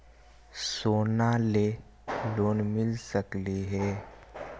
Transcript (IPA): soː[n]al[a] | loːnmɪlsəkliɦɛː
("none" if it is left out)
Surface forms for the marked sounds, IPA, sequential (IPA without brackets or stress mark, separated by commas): n, e